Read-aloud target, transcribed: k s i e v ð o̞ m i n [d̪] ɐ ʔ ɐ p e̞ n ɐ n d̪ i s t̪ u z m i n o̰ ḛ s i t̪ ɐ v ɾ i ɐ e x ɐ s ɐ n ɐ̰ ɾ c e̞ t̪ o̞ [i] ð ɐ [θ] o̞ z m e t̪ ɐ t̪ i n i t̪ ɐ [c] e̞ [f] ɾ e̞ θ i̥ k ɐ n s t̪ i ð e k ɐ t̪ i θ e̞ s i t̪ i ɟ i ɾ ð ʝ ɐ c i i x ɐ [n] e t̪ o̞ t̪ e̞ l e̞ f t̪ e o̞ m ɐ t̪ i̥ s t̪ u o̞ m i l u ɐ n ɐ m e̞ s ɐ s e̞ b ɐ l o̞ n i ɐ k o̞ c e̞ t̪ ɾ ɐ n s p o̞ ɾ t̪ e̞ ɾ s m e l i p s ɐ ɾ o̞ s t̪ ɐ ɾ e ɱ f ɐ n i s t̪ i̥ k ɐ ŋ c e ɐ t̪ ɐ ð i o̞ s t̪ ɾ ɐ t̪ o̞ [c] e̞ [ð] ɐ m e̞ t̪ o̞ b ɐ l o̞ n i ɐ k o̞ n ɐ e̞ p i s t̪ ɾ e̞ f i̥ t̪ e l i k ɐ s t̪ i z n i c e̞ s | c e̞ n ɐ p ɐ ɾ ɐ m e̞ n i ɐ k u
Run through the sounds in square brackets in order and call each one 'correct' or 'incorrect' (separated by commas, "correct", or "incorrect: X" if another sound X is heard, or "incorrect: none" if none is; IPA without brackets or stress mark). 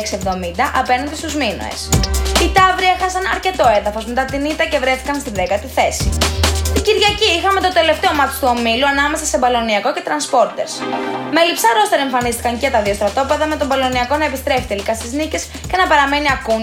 correct, incorrect: e, incorrect: f, correct, incorrect: v, incorrect: m, incorrect: p, correct